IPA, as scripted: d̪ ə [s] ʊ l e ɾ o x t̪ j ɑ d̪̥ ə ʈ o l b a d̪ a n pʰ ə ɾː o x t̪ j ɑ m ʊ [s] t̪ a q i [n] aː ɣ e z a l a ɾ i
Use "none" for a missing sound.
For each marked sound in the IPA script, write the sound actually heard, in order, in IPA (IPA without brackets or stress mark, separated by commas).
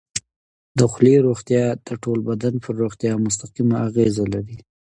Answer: x, s, m